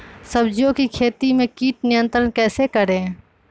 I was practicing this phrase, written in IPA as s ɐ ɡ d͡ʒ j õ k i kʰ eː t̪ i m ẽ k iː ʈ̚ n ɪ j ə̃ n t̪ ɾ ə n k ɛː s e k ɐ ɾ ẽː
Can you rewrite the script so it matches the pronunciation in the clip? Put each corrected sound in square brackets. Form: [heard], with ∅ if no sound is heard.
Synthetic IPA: s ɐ [b] d͡ʒ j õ k i kʰ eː t̪ i m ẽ k iː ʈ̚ n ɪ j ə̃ n t̪ ɾ ə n k ɛː s e k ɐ ɾ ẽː